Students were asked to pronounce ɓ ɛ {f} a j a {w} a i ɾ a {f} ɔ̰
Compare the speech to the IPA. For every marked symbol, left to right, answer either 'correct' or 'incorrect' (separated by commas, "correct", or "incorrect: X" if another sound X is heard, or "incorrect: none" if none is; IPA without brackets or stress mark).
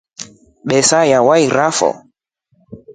incorrect: s, correct, correct